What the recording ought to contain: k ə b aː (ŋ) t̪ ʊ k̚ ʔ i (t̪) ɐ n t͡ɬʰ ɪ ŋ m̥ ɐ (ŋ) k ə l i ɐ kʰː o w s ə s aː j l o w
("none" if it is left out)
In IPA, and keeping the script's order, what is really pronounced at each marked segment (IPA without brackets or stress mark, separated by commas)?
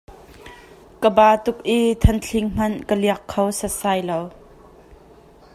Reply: none, t̪ʰ, n